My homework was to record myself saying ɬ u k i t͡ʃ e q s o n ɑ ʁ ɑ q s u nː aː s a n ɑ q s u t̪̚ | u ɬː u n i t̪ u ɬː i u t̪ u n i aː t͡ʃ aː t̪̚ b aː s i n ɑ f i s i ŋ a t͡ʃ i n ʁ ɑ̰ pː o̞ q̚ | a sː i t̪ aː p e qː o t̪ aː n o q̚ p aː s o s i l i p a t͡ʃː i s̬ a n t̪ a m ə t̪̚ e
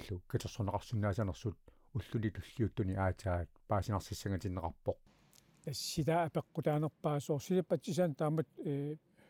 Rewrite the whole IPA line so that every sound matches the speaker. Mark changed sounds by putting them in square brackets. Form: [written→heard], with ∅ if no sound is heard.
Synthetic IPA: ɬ u k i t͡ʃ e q s o n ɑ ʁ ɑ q s u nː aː s a n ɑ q s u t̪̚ | u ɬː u n i t̪ u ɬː i u t̪ u n i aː t͡ʃ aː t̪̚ [b→p] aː s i n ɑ [f→s] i s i ŋ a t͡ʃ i n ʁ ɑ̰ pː o̞ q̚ | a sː i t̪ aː p e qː o t̪ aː n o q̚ p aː s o s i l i p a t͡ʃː i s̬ a n t̪ a m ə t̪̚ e